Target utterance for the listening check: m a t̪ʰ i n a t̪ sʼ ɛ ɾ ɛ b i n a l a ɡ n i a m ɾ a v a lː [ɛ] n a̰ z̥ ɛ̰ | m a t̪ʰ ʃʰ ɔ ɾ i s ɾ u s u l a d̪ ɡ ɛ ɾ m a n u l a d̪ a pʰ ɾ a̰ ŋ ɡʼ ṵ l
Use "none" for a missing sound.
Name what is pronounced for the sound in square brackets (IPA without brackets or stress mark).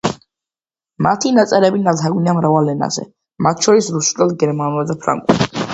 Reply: ɛ